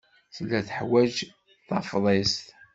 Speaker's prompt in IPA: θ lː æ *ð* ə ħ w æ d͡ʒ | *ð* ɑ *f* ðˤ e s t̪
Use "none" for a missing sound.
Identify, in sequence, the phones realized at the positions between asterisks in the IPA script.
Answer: θ, θ, f

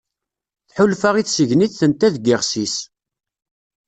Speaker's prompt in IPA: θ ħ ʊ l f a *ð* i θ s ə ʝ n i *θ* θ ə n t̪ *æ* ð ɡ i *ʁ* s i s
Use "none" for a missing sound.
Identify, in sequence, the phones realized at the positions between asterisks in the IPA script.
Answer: ʁ, θ, æ, ʁ

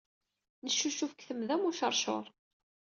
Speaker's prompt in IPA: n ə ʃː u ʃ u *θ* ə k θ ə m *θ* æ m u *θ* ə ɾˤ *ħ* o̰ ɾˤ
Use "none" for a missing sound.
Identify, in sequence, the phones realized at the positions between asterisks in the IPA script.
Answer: f, ð, ʃ, ʃ

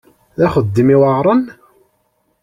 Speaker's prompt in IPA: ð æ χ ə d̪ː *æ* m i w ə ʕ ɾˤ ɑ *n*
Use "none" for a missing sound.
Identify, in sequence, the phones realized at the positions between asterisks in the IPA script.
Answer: i, n

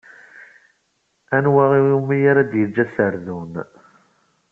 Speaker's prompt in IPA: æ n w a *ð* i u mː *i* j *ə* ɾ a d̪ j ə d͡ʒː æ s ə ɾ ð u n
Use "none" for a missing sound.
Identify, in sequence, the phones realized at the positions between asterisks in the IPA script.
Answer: ʁ, i, a

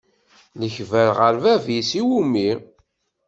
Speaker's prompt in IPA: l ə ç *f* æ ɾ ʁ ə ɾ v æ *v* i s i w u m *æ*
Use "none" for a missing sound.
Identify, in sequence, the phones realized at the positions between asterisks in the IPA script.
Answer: v, v, i

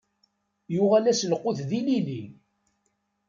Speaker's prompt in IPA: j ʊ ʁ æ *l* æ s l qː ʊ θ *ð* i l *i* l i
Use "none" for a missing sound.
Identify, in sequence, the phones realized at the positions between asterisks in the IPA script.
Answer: l, ð, i

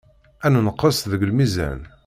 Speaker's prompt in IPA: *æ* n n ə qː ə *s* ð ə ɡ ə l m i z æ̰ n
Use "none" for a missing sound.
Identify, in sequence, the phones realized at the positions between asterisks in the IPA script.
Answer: æ, s

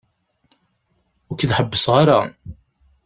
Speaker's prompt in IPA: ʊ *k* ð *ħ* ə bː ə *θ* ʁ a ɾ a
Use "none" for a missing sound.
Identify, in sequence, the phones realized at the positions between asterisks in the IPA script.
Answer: k, ħ, s

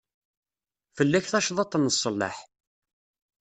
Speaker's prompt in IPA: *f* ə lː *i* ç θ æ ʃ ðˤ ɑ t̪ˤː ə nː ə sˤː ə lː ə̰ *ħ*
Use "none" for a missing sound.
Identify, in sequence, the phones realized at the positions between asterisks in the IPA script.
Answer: f, æ, ħ

